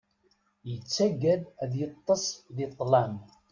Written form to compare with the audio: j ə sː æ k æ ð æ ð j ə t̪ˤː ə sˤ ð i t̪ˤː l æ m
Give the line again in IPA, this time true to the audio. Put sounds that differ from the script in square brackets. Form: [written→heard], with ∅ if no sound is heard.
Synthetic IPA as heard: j ə [sː→t͡sː] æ [k→ɡ] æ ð æ ð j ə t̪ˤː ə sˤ ð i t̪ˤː l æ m